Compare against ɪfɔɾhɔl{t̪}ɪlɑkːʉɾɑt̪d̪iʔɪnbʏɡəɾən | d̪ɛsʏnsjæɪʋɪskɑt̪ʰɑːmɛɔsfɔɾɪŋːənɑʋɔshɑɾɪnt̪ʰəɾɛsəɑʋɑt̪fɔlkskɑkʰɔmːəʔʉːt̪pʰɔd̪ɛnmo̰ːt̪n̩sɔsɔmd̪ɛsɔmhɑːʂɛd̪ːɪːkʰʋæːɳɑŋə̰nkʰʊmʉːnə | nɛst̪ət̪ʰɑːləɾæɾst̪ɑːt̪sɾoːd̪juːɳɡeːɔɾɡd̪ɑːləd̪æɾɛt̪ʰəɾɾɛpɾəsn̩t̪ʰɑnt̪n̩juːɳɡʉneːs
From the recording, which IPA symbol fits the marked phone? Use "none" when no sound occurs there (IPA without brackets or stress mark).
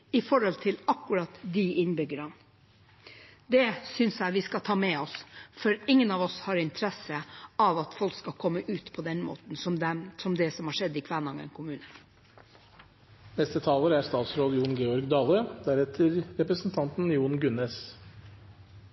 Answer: t̪ʰ